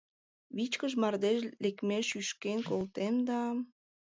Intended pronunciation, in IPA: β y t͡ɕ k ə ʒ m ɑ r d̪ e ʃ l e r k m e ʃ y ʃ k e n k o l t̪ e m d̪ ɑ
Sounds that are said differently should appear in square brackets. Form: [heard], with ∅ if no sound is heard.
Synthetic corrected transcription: β [i] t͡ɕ k ə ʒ m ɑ r d̪ e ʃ l e [∅] k m e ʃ y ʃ k e n k o l t̪ e m d̪ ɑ